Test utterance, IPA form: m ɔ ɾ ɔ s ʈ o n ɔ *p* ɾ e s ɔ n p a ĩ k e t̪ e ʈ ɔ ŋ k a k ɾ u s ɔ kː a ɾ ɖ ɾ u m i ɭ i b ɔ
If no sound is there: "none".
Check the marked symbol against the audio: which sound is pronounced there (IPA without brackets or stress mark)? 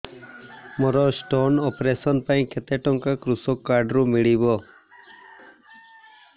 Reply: p